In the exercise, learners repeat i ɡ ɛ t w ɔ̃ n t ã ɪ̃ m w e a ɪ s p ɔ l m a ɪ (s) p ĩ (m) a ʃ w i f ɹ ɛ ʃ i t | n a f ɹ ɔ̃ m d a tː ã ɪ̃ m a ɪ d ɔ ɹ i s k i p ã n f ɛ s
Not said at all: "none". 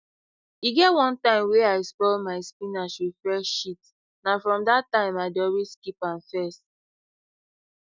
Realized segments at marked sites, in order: s, n

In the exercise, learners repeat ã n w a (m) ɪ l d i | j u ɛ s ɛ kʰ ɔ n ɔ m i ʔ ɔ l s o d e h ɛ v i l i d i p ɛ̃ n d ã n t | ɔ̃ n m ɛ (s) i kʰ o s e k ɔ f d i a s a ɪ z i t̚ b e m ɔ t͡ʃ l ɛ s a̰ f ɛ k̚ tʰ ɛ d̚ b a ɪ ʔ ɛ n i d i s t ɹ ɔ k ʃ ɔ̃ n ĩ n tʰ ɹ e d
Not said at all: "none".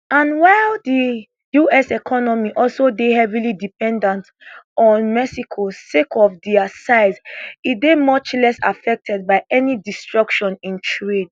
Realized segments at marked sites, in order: none, s

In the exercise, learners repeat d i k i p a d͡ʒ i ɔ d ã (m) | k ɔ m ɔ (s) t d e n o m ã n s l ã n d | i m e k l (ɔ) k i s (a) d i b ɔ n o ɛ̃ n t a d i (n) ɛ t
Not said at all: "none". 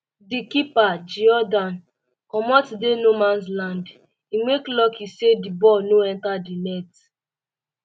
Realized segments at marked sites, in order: n, none, ɔ, e, n

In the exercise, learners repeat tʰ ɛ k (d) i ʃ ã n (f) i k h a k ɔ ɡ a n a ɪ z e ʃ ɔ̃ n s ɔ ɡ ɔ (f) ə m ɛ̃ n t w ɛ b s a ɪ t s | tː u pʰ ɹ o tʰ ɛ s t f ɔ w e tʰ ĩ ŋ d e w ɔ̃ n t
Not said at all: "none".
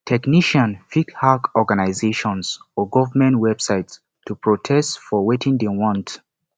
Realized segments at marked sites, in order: n, f, v

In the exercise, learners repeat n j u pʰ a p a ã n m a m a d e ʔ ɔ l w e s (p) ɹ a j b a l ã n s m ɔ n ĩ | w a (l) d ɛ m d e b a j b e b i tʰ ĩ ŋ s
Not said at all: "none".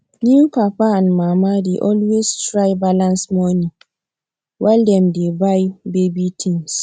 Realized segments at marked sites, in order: t, l

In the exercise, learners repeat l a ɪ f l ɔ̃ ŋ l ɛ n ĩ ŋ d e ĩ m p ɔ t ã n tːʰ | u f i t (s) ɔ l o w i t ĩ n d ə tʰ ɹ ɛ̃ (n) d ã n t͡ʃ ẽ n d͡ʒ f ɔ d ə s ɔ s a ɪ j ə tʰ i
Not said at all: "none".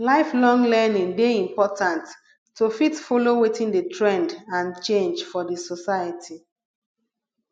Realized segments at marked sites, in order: f, n

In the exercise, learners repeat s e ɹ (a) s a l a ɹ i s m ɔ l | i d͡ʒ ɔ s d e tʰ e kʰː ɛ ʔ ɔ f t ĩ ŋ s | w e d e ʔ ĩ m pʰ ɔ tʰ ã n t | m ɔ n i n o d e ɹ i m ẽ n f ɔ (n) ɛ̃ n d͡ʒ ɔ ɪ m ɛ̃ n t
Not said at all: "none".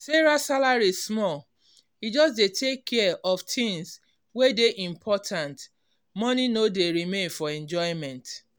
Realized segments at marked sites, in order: a, none

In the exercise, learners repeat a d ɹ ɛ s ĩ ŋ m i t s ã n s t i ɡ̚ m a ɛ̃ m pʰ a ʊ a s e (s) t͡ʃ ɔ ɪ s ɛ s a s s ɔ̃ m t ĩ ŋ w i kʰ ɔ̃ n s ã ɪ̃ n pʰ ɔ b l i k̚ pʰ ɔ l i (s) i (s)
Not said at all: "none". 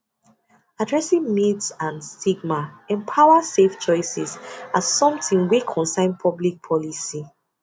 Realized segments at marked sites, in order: f, s, none

